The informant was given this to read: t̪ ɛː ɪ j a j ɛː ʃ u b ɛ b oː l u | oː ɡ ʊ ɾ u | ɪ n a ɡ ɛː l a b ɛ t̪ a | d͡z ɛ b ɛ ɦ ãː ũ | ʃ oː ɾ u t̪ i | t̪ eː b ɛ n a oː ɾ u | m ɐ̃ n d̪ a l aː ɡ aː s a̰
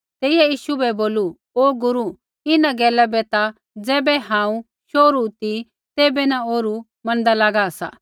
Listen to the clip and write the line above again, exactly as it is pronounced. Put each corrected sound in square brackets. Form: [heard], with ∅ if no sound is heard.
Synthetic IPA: t̪ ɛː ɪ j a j [iː] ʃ u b ɛ b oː l u | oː ɡ ʊ ɾ u | ɪ n a ɡ ɛː l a b ɛ t̪ a | d͡z [ɛː] b ɛ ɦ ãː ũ | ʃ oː ɾ u t̪ i | t̪ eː b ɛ n a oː ɾ u | m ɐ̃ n d̪ a l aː ɡ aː s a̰